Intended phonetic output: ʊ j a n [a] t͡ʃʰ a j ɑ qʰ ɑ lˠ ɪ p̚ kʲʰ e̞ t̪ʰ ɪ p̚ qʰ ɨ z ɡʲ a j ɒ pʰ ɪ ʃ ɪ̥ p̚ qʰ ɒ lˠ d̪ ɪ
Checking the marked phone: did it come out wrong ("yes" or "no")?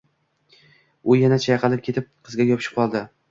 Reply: no